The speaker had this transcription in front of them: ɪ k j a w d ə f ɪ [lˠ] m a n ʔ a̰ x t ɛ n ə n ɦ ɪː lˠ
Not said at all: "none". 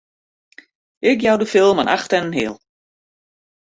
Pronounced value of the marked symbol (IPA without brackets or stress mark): lˠ